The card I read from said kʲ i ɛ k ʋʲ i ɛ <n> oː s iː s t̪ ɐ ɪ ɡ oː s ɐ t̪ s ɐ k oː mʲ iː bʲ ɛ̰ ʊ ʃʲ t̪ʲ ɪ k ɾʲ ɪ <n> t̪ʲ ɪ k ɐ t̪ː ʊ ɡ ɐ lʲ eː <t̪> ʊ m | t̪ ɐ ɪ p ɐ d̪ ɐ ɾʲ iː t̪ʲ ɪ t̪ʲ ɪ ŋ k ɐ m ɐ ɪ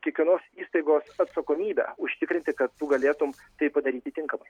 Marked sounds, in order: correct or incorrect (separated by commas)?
correct, correct, correct